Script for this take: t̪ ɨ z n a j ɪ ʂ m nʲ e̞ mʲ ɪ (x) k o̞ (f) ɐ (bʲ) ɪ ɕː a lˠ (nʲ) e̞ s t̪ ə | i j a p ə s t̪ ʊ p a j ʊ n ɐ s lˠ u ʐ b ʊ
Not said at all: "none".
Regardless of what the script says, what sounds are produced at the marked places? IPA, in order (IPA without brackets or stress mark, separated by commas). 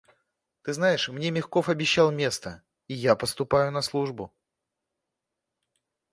x, f, bʲ, mʲ